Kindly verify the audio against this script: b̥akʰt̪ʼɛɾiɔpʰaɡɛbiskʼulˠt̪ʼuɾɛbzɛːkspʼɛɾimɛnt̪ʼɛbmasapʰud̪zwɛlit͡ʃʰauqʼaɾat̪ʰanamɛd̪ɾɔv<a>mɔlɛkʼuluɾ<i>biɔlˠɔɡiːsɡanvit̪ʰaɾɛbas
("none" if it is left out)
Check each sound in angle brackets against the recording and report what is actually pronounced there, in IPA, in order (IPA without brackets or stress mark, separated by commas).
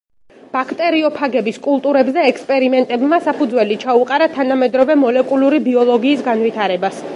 ɛ, i